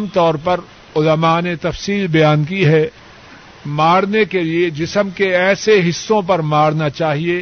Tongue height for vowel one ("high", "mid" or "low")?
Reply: mid